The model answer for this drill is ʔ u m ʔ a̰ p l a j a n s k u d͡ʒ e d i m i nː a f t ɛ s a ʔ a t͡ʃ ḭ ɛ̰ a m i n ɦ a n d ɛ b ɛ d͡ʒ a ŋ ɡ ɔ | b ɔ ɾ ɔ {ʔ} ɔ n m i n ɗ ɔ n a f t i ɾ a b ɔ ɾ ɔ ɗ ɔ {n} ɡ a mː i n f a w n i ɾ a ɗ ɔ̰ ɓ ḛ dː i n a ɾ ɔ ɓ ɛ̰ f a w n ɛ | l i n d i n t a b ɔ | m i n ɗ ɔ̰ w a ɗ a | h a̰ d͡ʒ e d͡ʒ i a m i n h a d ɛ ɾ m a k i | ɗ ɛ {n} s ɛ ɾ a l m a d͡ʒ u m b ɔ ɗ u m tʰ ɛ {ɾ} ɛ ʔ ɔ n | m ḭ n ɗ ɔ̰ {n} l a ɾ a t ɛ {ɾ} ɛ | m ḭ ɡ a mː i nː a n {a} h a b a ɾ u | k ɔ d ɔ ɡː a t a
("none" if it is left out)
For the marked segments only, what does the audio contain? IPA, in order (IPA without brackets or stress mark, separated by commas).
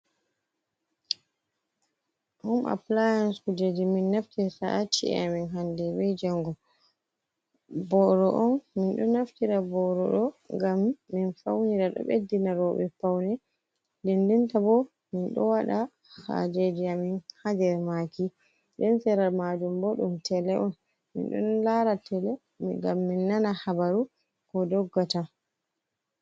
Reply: ʔ, ŋ, n, l, n, l, a